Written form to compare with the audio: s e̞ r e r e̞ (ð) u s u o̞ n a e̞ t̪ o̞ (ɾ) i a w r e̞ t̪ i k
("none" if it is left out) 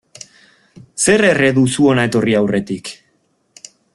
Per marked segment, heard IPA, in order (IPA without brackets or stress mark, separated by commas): ð, r